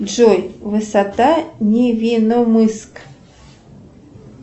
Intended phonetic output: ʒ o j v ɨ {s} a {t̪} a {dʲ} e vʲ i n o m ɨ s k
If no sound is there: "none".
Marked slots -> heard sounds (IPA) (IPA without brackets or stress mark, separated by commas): s, t̪, nʲ